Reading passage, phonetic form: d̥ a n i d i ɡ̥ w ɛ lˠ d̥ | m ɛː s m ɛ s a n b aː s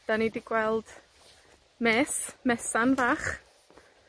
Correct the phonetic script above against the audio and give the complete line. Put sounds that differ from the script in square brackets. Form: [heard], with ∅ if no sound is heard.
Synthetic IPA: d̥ a n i d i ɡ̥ w ɛ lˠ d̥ | m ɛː s m ɛ s a n [v] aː [χ]